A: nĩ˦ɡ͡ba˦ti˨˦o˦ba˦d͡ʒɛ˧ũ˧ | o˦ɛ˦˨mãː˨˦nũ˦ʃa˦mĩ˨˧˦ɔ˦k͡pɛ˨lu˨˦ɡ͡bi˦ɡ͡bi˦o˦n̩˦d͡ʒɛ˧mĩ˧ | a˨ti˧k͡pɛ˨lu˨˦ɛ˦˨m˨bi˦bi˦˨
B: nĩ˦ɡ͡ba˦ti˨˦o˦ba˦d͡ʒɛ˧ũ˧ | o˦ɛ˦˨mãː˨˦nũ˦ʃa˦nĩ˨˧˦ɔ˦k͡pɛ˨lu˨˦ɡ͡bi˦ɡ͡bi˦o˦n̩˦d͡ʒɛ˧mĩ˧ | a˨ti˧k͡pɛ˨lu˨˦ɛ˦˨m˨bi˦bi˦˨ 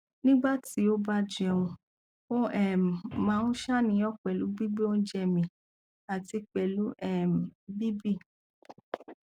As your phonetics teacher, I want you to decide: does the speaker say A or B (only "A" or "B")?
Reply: B